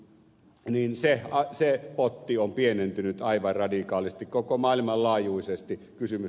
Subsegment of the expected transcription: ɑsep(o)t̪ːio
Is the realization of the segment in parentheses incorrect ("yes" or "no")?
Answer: no